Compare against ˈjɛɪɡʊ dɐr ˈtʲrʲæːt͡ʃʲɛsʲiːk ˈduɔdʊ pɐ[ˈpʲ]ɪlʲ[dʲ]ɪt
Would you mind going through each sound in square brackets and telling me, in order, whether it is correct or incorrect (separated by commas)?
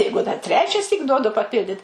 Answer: correct, correct